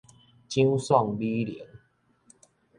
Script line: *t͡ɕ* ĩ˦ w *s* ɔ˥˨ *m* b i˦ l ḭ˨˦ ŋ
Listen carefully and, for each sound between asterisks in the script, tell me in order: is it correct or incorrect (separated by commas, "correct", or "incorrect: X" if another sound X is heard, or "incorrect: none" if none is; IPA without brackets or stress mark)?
correct, correct, incorrect: ŋ